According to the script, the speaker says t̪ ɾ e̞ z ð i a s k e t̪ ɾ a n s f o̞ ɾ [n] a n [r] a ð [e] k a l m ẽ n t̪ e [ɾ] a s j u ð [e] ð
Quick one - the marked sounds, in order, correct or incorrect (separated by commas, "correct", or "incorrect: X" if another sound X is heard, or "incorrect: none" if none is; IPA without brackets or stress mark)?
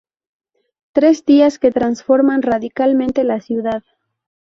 incorrect: m, correct, incorrect: i, incorrect: l, incorrect: a